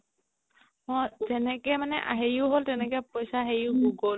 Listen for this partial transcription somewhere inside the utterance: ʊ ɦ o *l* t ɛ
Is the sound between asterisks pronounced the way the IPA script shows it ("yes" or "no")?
yes